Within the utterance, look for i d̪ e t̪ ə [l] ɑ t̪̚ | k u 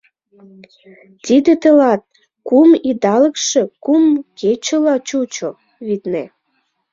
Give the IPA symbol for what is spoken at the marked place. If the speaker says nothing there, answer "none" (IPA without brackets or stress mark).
l